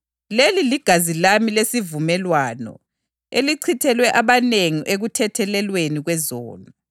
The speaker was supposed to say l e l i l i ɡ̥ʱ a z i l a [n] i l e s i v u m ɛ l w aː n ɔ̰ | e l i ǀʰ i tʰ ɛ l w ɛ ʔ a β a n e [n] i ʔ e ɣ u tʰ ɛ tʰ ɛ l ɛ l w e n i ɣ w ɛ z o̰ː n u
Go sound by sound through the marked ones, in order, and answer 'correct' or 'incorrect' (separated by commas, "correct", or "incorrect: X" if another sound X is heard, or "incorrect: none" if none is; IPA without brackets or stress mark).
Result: incorrect: m, incorrect: ŋ